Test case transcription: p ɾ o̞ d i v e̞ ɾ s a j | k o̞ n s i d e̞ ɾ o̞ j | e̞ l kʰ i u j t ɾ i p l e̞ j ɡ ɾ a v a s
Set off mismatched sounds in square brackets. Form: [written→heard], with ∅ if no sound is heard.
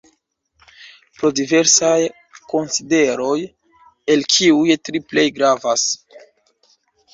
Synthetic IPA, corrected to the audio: p ɾ o̞ d i v e̞ ɾ s a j | k o̞ n s i d e̞ ɾ o̞ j | e̞ l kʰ i u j t ɾ i p l e̞ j ɡ ɾ a v a s